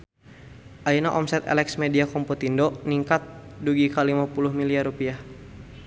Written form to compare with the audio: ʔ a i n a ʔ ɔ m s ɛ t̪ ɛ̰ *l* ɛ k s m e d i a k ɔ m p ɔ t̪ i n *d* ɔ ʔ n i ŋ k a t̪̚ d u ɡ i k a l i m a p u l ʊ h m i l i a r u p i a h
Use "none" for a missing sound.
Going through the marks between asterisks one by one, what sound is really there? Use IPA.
l, d

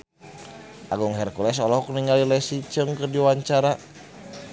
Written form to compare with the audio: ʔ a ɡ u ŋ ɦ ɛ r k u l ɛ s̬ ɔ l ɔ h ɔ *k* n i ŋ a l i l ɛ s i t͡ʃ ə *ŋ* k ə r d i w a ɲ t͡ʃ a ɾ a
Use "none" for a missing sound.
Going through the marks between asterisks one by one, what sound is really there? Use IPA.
k, ŋ

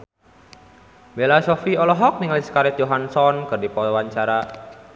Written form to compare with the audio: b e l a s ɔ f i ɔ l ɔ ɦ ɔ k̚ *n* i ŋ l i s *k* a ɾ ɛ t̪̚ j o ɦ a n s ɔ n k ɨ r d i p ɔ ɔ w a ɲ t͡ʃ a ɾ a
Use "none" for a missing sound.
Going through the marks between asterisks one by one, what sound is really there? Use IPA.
n, k

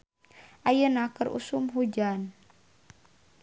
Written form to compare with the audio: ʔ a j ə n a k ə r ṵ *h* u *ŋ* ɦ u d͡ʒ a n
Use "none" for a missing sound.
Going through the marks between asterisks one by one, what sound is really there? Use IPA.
s, m

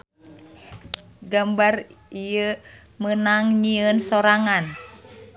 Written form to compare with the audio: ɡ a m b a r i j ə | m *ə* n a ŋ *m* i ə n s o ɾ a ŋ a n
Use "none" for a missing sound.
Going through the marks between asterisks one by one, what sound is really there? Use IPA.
ə, ɲ

